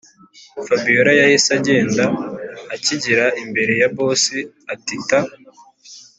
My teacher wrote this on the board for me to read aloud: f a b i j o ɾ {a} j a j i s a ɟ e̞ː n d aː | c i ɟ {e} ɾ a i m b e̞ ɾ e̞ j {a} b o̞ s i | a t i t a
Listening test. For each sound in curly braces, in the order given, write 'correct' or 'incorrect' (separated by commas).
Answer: correct, incorrect, correct